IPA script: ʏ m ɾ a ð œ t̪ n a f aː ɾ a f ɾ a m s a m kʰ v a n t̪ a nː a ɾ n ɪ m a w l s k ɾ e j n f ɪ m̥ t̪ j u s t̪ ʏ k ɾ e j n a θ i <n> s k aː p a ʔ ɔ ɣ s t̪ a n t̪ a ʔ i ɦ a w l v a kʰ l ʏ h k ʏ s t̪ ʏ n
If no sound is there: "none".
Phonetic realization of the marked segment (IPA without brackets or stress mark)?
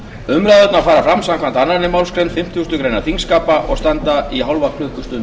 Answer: ŋ